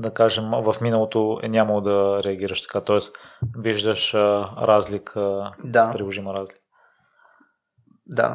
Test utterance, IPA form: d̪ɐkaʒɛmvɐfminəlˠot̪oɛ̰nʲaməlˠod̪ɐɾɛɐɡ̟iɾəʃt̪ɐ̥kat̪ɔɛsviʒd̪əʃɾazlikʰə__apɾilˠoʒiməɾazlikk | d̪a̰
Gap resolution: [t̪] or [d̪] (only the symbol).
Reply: d̪